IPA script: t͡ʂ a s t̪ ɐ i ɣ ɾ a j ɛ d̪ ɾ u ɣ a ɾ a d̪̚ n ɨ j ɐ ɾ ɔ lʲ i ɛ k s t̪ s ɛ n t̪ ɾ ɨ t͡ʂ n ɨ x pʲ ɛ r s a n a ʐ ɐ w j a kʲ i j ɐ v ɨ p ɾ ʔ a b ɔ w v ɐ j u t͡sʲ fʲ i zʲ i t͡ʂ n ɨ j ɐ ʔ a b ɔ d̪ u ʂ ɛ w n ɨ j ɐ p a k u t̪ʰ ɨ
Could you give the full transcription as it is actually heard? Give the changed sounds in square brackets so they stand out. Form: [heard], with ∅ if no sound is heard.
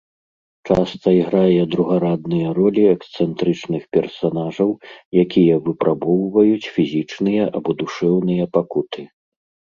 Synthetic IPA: t͡ʂ a s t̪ ɐ i ɣ ɾ a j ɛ d̪ ɾ u ɣ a ɾ a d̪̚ n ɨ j ɐ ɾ ɔ lʲ i ɛ k s t̪ s ɛ n t̪ ɾ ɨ t͡ʂ n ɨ x pʲ ɛ r s a n a ʐ ɐ w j a kʲ i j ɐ v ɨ p ɾ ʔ a b ɔ w v ɐ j u t͡sʲ fʲ i zʲ i t͡ʂ n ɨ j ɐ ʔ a b ɔ d̪ u ʂ ɛ w n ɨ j ɐ p a k u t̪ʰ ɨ